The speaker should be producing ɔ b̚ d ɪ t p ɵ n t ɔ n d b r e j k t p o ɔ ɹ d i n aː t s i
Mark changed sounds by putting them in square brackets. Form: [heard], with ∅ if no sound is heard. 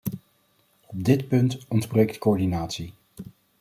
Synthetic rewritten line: ɔ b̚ d ɪ t p ɵ n t ɔ n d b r e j k t [k] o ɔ ɹ d i n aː t s i